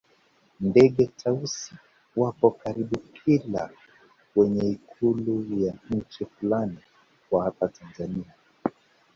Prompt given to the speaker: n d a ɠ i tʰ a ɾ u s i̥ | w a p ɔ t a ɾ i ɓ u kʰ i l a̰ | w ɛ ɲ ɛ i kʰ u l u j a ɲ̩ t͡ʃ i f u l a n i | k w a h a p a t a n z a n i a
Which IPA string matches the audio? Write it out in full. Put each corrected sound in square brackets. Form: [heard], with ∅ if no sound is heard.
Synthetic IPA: n d [ɛ] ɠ [ɛ] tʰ a [∅] u s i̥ | w a p ɔ [k] a ɾ i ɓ u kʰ i l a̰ | w ɛ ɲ ɛ i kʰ u l u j a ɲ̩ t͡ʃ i f u l a n i | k w a h a p a t a n z a n i a